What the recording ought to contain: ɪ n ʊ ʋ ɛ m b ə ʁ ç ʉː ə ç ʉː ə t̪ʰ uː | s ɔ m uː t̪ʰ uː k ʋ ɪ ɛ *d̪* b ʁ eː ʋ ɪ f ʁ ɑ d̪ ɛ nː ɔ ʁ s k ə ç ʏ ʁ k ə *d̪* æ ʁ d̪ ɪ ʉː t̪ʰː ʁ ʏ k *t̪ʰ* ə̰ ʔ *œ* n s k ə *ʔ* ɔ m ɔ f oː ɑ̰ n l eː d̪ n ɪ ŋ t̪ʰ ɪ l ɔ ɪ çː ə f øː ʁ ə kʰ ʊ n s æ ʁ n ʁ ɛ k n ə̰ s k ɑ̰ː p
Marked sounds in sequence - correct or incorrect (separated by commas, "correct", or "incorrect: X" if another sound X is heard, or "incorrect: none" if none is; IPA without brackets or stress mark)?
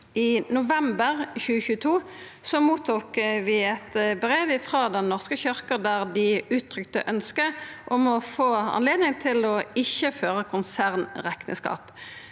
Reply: incorrect: t̪, correct, incorrect: t̪, correct, correct